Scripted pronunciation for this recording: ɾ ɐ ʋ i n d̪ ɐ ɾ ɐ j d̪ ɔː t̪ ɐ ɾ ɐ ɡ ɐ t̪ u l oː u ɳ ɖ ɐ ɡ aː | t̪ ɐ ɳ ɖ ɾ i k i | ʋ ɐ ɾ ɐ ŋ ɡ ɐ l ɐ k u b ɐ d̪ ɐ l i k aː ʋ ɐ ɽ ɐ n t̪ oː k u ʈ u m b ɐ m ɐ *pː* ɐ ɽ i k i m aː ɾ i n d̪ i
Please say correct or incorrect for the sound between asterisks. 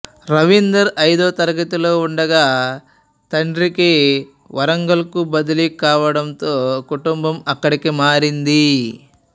incorrect